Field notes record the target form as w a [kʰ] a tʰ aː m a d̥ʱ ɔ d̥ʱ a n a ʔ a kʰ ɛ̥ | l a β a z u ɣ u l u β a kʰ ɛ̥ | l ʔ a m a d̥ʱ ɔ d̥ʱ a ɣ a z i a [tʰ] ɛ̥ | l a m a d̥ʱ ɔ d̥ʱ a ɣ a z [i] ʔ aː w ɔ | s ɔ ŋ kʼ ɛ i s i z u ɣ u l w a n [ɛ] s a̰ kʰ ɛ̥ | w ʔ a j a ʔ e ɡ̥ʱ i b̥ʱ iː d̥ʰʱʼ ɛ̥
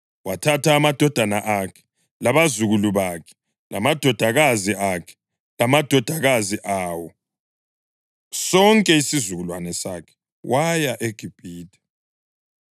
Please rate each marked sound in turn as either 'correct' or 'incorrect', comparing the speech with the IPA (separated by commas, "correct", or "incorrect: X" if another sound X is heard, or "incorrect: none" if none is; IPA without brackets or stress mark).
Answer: incorrect: tʰ, incorrect: kʰ, correct, correct